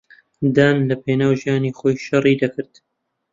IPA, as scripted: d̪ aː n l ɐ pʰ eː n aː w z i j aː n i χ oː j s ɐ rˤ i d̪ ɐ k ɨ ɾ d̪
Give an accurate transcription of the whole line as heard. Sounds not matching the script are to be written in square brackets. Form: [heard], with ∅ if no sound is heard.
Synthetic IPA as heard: d̪ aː n l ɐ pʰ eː n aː w [ʒ] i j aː n i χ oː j [ʃ] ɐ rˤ i d̪ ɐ k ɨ ɾ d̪